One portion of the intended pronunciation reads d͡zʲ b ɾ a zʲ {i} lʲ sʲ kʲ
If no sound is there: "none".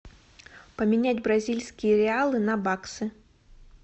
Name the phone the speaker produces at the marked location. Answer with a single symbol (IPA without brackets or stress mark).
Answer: i